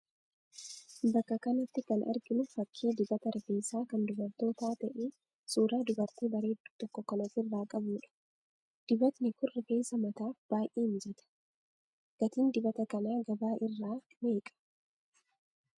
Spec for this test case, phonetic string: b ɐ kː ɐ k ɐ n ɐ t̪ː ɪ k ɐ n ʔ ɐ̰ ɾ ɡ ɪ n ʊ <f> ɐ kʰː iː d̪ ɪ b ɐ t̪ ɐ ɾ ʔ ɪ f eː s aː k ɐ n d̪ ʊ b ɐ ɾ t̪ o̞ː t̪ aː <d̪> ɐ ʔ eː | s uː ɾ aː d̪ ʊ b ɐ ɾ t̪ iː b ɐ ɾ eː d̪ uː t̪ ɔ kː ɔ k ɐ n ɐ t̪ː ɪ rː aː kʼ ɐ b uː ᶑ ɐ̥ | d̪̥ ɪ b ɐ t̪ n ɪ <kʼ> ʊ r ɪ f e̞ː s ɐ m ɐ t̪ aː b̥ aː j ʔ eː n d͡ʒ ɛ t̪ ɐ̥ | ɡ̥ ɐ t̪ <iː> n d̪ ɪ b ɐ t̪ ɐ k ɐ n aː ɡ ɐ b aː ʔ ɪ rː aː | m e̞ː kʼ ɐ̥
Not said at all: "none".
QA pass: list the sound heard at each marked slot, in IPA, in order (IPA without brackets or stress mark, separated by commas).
f, t̪, k, iː